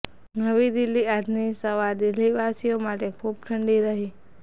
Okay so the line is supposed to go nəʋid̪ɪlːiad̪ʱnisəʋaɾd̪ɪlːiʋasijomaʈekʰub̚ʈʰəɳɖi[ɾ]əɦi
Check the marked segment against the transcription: correct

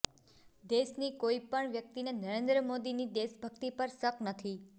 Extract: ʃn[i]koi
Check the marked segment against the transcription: correct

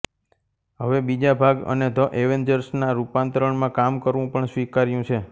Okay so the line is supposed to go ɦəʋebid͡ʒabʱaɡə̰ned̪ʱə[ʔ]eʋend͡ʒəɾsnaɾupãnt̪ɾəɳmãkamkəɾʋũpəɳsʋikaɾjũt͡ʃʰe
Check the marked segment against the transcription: correct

